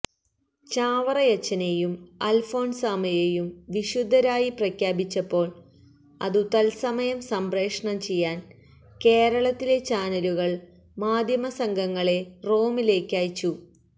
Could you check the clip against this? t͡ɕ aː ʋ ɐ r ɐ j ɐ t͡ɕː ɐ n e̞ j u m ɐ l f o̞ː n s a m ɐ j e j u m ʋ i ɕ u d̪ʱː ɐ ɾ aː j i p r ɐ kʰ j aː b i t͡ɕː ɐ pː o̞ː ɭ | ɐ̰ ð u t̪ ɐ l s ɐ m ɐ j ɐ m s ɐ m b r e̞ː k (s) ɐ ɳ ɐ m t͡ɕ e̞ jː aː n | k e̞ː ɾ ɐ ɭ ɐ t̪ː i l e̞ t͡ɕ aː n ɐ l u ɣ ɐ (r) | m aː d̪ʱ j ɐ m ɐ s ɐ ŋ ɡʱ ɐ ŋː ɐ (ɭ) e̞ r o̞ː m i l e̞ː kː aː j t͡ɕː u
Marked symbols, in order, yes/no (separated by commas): no, no, yes